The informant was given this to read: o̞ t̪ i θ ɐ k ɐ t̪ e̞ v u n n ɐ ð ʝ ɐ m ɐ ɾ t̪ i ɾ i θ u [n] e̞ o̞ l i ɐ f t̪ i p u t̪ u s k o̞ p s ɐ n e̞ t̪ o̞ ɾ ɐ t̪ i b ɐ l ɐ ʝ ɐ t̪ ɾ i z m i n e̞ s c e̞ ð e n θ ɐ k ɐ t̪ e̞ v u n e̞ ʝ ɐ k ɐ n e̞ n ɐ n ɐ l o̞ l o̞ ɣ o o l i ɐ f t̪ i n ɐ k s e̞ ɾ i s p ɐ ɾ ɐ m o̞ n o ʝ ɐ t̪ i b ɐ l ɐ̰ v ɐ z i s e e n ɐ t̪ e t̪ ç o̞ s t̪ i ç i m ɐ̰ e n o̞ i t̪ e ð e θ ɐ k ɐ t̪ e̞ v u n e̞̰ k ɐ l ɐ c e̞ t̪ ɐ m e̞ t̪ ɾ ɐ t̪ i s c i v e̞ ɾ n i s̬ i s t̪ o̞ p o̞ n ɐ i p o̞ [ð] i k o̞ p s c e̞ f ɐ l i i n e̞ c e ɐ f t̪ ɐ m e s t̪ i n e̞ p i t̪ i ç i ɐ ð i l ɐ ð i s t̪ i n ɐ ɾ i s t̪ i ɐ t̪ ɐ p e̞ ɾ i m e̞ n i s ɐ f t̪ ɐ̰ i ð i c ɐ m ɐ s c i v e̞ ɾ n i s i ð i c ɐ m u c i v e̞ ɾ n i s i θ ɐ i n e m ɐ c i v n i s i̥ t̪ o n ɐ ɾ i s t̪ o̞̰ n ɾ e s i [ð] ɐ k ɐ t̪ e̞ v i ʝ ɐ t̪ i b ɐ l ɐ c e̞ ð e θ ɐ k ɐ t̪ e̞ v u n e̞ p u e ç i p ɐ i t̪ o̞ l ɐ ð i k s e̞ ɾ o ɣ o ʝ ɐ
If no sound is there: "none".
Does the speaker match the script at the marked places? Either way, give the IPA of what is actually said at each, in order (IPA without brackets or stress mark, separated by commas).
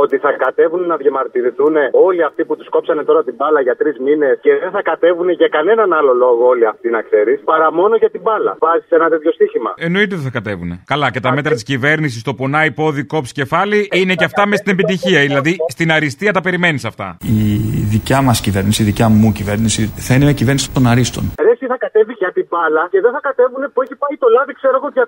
n, ð, θ